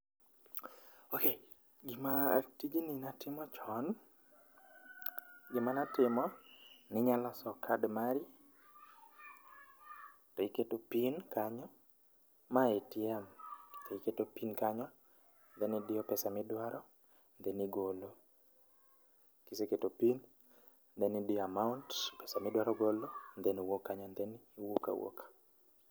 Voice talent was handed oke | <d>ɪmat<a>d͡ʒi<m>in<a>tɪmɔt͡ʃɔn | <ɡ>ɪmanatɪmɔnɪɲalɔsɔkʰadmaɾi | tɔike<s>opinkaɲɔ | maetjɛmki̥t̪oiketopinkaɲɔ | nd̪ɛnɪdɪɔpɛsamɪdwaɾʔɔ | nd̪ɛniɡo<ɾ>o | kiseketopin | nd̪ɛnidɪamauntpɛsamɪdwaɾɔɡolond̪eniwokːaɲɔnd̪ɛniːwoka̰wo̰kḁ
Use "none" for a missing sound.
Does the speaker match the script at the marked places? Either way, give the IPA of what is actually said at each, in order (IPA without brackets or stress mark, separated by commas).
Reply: ɡ, i, n, a, ɡ, t, l